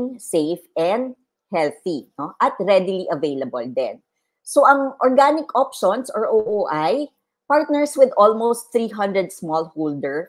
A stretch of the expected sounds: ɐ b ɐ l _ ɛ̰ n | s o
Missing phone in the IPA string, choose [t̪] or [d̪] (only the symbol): d̪